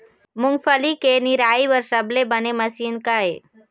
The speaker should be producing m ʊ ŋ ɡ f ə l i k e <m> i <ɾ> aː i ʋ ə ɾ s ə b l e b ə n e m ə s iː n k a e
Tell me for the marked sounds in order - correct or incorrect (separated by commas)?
incorrect, correct